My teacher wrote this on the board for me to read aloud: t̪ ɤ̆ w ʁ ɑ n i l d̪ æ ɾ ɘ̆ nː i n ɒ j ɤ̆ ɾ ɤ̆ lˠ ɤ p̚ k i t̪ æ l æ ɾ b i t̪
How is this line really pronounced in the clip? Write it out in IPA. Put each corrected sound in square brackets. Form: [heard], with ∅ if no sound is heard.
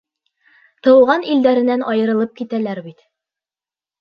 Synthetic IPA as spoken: t̪ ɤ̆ w ʁ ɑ n i l d̪ æ ɾ ɘ̆ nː [æ] n ɒ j ɤ̆ ɾ ɤ̆ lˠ ɤ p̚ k i t̪ æ l æ ɾ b i t̪